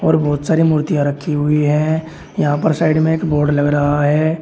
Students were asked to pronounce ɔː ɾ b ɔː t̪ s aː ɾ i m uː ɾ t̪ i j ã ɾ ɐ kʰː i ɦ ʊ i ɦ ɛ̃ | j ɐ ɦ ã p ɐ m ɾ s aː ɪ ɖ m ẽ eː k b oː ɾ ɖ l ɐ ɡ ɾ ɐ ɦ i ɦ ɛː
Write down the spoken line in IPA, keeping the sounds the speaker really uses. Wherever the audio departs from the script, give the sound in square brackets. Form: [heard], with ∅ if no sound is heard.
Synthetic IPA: ɔː ɾ b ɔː t̪ s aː ɾ i m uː ɾ t̪ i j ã ɾ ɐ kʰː i ɦ ʊ i ɦ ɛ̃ | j ɐ ɦ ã p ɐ [∅] ɾ s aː ɪ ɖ m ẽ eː k b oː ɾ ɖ l ɐ ɡ ɾ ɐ ɦ [a] ɦ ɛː